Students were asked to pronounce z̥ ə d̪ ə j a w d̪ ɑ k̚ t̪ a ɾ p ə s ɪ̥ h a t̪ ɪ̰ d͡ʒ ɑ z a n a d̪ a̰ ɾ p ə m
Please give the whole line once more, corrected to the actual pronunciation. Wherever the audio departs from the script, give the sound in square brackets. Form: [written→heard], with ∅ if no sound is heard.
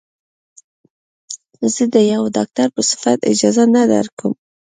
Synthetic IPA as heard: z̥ ə d̪ ə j a w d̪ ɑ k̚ t̪ a ɾ p ə s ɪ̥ [h→f] a t̪ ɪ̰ d͡ʒ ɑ z a n a d̪ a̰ ɾ [p→k] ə m

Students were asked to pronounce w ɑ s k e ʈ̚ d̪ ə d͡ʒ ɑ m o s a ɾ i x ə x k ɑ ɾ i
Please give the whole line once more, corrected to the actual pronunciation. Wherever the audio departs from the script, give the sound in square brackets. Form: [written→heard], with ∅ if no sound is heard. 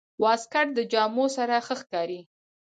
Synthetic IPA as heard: w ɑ s k [e→a] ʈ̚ d̪ ə d͡ʒ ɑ m o s a ɾ [i→a] x ə x k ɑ ɾ i

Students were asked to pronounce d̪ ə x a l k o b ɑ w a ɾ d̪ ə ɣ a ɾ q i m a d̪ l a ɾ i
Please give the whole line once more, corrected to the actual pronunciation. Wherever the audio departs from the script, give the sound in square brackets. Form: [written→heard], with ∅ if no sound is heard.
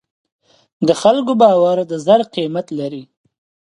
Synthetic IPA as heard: d̪ ə x a l k o b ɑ w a ɾ d̪ ə [ɣ→z] a ɾ q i m a [d̪→t̪] l a ɾ i

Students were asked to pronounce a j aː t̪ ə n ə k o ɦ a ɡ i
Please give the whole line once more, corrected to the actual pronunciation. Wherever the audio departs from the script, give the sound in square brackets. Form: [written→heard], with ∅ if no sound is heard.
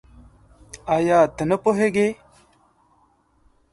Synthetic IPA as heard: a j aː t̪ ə n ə [k→p] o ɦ [a→e] ɡ [i→e]

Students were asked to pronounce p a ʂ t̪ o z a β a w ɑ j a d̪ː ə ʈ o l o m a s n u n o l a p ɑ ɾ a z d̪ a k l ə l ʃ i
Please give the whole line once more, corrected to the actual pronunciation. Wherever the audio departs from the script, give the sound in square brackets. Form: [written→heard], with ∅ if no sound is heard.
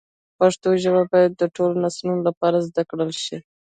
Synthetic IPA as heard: p a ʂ t̪ o [z→ʒ] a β a [w→b] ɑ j a d̪ː ə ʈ o l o [m→n] a s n u n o l a p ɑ ɾ a z d̪ a k [l→ɽ] ə l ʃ i

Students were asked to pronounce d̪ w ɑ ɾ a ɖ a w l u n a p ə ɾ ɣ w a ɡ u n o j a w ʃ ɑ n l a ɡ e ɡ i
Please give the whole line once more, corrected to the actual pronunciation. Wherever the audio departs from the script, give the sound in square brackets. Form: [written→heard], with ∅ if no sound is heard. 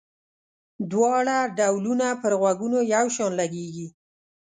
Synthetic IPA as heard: d̪ w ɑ [ɾ→ɽ] a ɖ a w l u n a p ə ɾ ɣ w a ɡ u n o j a w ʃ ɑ n l a ɡ e ɡ i

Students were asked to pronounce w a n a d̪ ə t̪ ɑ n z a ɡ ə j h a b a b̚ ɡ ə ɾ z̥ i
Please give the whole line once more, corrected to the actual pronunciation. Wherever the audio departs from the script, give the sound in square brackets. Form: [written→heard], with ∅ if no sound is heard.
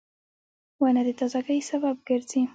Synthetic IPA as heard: w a n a d̪ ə t̪ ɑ [n→∅] z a ɡ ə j [h→s] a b a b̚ ɡ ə ɾ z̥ i

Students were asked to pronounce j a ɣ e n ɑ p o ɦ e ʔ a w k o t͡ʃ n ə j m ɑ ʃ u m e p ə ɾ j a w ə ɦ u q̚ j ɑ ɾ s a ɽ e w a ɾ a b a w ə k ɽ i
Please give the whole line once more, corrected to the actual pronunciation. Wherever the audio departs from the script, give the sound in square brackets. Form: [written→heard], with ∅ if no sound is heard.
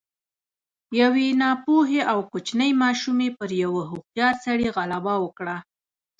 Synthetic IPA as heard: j a [ɣ→w] e n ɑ p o ɦ e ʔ a w k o t͡ʃ n ə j m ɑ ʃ u m e p ə ɾ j a w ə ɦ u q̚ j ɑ ɾ s a ɽ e [w→ɣ] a [ɾ→l] a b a w ə k ɽ [i→a]

